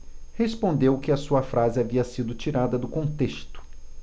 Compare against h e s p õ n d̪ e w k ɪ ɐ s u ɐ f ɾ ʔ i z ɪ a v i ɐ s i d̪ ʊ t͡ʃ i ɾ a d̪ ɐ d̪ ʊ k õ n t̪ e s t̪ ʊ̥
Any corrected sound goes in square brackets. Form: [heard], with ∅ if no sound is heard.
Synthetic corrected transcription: h e s p õ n d̪ e w k ɪ ɐ s u ɐ f ɾ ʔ [a] z ɪ a v i ɐ s i d̪ ʊ t͡ʃ i ɾ a d̪ ɐ d̪ ʊ k õ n t̪ e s t̪ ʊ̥